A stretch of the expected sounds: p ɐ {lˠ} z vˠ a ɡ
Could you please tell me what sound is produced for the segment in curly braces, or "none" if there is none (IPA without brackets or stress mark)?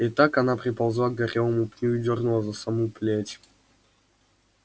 lˠ